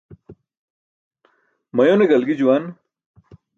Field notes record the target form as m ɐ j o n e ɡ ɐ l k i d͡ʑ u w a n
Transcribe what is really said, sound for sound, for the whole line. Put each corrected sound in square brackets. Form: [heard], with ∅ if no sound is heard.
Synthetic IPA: m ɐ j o n e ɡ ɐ l [ɡ] i d͡ʑ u w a n